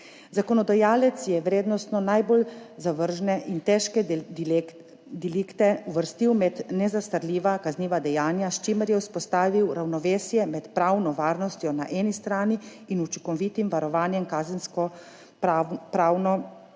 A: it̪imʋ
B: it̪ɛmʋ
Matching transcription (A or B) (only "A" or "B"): A